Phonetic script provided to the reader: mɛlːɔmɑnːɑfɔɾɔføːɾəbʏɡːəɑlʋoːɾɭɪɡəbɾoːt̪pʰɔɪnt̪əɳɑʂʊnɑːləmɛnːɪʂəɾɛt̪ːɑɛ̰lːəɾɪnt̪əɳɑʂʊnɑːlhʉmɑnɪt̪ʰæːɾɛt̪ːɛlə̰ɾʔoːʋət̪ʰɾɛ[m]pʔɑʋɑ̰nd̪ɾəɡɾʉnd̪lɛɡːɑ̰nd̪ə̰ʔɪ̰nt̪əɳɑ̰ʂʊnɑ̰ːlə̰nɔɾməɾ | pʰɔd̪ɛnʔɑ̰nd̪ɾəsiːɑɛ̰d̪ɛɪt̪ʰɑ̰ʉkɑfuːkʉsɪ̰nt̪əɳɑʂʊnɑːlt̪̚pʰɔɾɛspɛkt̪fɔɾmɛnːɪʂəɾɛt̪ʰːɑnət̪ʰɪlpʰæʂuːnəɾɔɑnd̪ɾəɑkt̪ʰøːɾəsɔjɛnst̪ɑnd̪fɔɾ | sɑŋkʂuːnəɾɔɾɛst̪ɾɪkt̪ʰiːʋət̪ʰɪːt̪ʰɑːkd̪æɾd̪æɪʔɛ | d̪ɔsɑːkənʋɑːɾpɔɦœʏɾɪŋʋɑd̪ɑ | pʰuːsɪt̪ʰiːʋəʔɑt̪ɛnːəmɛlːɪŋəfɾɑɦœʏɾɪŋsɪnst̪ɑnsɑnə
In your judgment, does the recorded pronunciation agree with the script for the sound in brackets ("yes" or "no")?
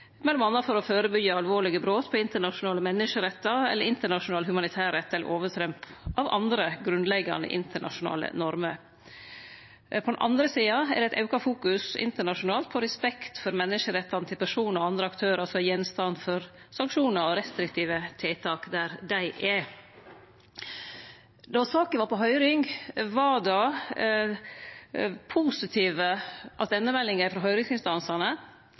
yes